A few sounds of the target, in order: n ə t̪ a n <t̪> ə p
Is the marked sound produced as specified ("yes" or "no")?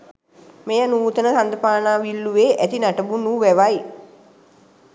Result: no